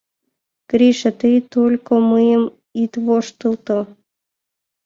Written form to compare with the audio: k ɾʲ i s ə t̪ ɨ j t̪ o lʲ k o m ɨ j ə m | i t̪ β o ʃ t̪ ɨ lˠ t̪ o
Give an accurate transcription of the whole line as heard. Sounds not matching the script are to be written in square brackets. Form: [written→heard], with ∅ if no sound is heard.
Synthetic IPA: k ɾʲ i [s→ʃ] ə t̪ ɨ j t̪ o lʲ k o m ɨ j ə m | i t̪ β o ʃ t̪ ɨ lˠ t̪ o